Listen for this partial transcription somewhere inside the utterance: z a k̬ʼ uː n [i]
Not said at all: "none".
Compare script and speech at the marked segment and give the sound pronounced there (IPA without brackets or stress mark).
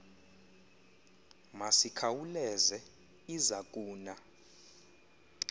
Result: a